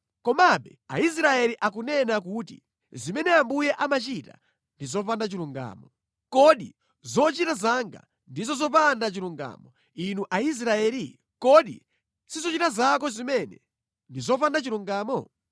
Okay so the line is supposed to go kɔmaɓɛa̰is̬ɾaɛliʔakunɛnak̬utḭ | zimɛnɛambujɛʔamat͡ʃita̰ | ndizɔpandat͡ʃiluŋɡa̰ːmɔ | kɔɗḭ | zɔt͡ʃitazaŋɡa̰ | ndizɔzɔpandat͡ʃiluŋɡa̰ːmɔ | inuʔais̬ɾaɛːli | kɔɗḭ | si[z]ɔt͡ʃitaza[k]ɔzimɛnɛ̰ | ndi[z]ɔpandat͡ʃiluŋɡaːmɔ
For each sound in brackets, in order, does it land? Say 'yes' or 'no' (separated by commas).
yes, yes, yes